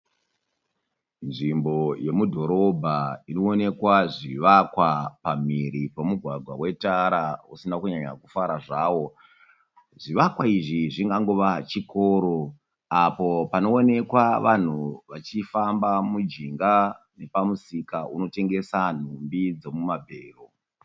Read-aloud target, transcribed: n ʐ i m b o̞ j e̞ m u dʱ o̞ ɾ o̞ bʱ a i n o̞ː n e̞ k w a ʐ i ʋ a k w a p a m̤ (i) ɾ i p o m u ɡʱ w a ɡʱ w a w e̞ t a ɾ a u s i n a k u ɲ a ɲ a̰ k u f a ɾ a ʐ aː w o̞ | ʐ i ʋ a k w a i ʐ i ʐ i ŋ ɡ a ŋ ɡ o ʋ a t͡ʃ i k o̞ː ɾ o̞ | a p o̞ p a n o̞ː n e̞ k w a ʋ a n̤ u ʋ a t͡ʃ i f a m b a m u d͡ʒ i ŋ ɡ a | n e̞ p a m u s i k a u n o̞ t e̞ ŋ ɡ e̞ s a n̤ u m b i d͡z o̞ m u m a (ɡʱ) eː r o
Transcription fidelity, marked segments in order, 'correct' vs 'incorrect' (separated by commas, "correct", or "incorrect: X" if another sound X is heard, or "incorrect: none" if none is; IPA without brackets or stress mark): correct, incorrect: bʱ